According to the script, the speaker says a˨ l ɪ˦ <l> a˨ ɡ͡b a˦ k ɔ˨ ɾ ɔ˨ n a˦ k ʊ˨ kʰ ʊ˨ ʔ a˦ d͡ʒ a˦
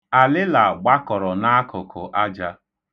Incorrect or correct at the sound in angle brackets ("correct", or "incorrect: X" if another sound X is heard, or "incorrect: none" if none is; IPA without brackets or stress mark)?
correct